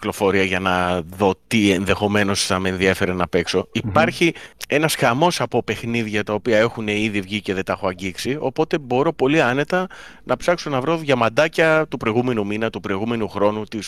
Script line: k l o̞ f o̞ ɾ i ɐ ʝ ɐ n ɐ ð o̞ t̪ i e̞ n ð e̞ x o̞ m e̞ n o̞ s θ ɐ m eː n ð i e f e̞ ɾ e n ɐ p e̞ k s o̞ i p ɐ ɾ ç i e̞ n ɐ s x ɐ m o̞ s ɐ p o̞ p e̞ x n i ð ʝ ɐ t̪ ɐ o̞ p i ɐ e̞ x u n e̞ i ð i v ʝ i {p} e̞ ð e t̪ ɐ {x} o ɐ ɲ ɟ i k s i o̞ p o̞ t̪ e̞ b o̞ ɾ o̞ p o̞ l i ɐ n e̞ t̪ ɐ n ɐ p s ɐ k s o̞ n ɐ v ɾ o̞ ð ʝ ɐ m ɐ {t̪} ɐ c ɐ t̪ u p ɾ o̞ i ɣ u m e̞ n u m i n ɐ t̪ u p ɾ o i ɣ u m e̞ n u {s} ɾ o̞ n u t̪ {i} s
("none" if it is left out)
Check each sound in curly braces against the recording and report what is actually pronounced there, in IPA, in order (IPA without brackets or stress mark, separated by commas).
c, x, d̪, x, i